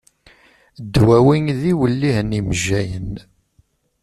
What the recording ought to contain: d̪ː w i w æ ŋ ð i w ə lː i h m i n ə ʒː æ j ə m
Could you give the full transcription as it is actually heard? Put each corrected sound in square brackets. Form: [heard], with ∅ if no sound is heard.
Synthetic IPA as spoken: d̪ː w [æ] w [i] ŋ ð i w ə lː i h [n] i [m] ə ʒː æ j ə [n]

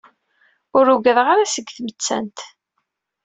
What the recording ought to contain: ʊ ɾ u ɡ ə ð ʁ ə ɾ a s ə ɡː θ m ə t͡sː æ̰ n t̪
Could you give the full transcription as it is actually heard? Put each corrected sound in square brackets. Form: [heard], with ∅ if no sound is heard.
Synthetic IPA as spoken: ʊ ɾ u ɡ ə ð ʁ [a] ɾ a s ə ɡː θ m ə t͡sː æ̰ n t̪

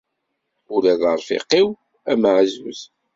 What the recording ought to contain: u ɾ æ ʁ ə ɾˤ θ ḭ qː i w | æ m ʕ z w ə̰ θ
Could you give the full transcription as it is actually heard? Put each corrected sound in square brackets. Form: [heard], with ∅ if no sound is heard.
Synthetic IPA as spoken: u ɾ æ [ð] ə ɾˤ [f] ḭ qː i w | æ m ʕ z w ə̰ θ

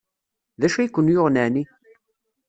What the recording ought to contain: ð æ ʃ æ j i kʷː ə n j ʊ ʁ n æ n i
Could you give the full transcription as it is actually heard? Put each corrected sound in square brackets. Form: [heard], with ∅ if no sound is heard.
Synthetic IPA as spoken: ð æ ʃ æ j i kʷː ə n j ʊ ʁ n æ n i

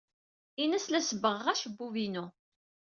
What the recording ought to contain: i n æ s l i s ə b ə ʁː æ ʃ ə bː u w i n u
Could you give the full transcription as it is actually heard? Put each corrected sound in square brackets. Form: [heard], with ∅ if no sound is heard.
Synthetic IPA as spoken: i n æ s l [æ] s ə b ə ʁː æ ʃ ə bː u [v] i n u

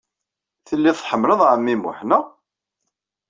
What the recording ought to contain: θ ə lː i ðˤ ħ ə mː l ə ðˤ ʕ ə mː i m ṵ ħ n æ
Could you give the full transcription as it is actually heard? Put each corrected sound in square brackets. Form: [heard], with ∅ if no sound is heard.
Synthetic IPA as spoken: θ ə lː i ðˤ ħ ə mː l ə ðˤ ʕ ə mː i m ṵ ħ n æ

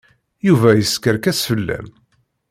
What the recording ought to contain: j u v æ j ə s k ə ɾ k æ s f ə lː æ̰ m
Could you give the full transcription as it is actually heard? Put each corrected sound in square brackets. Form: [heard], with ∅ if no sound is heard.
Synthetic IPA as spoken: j u v æ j ə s k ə ɾ k æ s f ə lː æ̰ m

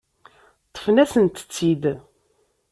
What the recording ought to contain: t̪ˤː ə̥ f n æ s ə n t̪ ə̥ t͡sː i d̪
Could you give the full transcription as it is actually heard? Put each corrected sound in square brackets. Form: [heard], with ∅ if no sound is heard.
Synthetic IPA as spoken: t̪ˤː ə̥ f n æ s ə n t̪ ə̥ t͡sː i d̪

